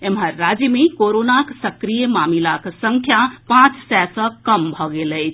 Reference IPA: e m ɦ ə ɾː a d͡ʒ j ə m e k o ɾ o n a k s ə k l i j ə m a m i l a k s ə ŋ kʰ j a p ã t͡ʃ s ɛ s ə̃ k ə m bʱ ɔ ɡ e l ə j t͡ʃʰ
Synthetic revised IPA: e m ɦ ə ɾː a d͡ʒ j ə m e k o ɾ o n a k s ə k ɾ i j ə m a m i l a k s ə ŋ kʰ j a p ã t͡ʃ s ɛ s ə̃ k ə m bʱ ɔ ɡ e l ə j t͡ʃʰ